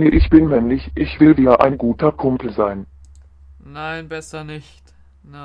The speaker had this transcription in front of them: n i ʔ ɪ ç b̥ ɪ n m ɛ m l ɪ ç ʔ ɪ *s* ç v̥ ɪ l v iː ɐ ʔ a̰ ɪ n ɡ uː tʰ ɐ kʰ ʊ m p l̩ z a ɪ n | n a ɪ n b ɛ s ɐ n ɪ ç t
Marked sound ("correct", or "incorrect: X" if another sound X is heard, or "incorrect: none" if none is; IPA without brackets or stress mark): incorrect: none